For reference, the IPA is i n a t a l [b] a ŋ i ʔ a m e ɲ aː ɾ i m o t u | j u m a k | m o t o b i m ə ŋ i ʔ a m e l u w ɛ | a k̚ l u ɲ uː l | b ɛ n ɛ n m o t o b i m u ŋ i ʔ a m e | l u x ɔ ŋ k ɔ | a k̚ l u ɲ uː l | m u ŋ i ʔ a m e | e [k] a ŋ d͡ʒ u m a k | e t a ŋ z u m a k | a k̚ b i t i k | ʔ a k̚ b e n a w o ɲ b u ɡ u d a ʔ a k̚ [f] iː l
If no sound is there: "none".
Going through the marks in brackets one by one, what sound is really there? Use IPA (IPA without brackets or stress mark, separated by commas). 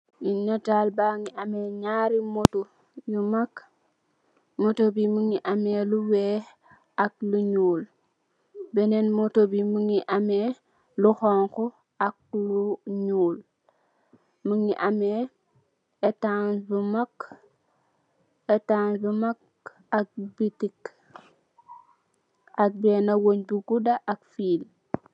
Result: b, t, f